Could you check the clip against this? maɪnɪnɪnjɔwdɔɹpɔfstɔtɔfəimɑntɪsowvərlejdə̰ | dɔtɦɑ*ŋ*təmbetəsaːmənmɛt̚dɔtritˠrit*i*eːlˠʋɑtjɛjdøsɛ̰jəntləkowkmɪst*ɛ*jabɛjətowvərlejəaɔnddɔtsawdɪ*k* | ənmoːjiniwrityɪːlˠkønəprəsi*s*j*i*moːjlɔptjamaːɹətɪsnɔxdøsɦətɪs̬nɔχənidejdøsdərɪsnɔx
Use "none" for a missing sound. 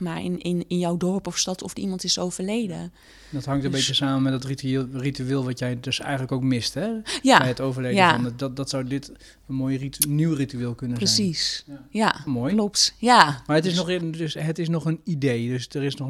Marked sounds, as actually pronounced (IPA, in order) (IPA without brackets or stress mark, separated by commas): ŋ, y, ɛ, t, s, a